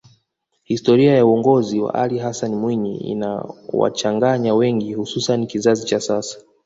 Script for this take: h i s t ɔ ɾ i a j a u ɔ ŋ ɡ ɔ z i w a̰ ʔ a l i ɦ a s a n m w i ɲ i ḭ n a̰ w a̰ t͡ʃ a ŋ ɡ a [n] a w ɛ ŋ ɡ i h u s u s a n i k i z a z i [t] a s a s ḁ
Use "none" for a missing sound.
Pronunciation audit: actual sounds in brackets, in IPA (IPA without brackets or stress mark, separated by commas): ɲ, t͡ʃ